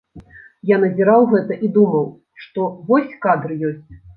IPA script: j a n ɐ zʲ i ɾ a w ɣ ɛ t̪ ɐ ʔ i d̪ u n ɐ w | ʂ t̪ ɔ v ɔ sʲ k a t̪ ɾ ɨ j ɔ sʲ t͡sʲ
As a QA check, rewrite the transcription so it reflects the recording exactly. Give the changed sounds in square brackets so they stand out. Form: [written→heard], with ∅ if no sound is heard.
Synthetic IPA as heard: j a n ɐ zʲ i ɾ a w ɣ ɛ t̪ ɐ ʔ i d̪ u [n→m] ɐ w | ʂ t̪ ɔ v ɔ sʲ k a [t̪→d̪] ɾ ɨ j ɔ sʲ t͡sʲ